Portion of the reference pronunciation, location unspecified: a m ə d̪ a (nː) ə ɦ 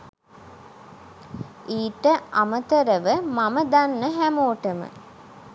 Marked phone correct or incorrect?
correct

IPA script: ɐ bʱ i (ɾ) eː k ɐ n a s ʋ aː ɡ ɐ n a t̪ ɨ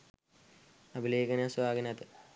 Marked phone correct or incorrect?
incorrect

